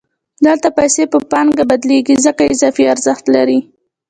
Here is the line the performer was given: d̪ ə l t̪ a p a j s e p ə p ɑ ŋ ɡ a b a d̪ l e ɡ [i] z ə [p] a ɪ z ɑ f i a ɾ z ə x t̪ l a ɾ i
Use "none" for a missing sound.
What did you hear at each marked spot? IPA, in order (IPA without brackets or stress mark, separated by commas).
i, k